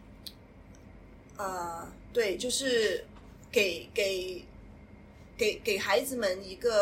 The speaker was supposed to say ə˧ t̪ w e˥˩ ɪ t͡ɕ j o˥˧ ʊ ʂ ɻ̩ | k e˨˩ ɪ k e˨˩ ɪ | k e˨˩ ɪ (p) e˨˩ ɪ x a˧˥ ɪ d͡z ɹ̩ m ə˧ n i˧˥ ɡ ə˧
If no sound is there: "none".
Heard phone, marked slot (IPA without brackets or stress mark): k